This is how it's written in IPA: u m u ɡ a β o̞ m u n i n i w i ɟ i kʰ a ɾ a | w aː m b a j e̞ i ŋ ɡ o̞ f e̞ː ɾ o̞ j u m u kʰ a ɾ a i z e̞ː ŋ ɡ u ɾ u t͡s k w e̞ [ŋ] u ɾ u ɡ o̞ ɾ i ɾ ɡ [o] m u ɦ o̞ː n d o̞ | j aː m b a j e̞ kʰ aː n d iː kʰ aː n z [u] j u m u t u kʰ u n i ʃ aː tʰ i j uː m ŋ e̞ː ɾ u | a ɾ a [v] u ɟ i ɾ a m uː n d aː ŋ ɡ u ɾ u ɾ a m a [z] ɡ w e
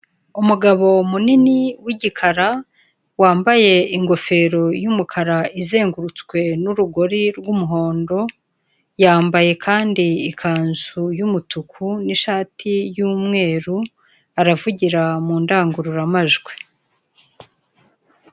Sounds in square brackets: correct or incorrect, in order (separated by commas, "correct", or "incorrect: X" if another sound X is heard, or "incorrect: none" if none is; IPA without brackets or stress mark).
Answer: incorrect: n, incorrect: u, correct, correct, incorrect: ʒ